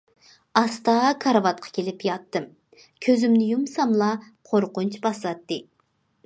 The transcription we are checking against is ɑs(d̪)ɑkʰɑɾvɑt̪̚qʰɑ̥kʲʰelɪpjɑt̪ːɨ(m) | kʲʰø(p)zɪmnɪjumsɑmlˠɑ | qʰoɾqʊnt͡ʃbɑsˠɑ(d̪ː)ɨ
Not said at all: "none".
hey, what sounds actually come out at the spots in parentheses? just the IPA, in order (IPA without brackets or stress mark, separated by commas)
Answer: t̪, m, none, t̪ː